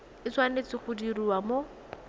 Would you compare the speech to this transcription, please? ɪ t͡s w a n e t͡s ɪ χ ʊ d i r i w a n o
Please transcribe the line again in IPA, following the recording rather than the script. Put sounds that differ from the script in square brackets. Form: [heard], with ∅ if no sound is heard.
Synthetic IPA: ɪ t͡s w a n e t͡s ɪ χ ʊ d i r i w a [m] o